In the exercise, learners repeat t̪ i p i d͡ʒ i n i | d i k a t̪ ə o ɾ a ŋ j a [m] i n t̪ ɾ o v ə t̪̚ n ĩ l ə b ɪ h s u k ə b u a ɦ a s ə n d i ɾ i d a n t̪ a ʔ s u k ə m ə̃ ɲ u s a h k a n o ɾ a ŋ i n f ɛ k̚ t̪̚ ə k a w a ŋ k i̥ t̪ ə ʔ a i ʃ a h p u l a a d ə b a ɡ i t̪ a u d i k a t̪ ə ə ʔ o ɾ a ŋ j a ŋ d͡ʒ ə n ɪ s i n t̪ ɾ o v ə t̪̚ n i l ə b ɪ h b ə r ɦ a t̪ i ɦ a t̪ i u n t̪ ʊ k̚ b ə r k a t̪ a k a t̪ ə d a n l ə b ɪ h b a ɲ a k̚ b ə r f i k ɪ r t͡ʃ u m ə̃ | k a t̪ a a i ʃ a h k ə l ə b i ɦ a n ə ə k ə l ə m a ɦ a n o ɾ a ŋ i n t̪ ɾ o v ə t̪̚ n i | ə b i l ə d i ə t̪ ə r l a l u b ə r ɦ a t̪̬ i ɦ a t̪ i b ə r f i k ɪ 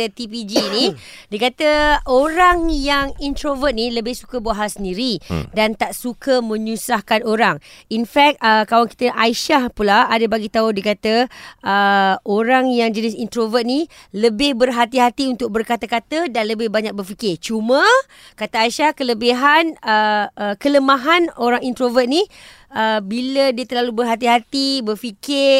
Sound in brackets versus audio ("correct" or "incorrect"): incorrect